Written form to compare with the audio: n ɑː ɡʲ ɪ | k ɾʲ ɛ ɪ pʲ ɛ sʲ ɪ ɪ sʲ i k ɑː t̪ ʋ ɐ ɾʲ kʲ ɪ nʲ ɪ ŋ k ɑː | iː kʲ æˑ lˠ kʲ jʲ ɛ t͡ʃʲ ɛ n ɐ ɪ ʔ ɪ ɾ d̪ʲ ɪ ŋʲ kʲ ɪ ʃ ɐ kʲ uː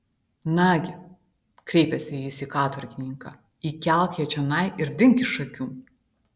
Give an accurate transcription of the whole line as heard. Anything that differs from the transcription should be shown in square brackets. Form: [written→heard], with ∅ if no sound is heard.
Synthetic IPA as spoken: n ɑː ɡʲ ɪ | k ɾʲ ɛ ɪ pʲ ɛ sʲ ɪ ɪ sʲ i k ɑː t̪ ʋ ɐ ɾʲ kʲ ɪ nʲ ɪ ŋ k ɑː | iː kʲ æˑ lˠ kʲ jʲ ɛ t͡ʃʲ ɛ n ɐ ɪ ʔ ɪ ɾ d̪ʲ ɪ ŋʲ kʲ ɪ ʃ ɐ kʲ uː